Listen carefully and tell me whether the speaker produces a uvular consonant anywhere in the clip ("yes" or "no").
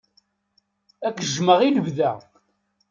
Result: yes